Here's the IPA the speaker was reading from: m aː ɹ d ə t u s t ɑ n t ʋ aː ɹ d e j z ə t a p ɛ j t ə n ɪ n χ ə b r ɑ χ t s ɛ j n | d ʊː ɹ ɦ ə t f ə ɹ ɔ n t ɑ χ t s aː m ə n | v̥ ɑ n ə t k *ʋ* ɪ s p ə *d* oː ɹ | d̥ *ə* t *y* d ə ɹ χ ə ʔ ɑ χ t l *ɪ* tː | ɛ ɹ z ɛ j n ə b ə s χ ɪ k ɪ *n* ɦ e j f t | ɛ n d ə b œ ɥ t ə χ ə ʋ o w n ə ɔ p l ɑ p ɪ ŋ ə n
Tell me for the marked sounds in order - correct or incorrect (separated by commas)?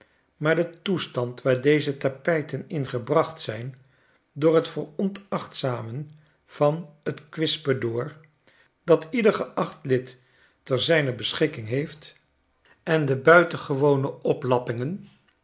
correct, correct, incorrect, incorrect, correct, incorrect